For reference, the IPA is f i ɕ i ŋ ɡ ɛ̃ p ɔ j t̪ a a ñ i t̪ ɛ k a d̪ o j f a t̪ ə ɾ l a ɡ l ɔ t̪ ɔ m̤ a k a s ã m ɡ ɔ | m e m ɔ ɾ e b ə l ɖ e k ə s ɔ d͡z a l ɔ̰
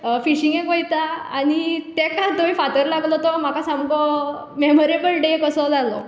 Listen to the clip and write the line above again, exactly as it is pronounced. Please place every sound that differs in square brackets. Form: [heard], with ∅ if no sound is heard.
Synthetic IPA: f i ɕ i ŋ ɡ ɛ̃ [k] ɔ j t̪ a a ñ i t̪ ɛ k a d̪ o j f a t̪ ə ɾ l a ɡ l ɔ t̪ ɔ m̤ a k a s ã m ɡ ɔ | m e m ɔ ɾ e b ə l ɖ e k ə s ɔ d͡z a l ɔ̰